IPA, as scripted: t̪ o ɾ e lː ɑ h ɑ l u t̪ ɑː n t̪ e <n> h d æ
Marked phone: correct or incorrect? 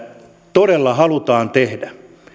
incorrect